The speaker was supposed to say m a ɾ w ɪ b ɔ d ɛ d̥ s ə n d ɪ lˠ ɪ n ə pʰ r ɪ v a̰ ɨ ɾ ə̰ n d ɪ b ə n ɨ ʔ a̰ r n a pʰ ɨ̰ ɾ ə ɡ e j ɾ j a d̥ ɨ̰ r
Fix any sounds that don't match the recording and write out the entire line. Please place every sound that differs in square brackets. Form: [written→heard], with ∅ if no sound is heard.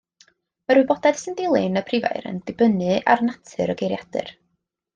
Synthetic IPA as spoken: m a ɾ w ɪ b ɔ d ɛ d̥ s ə n d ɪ lˠ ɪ n ə pʰ r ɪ v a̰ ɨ ɾ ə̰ n d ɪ b ə n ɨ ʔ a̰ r n a [pʰ→tʰ] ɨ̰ ɾ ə ɡ e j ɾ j a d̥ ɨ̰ r